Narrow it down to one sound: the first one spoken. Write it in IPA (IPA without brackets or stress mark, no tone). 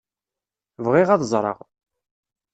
v